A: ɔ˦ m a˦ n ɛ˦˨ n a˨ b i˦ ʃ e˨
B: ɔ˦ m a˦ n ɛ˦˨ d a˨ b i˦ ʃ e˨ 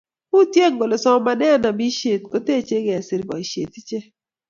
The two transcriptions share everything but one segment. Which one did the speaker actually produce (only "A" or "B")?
A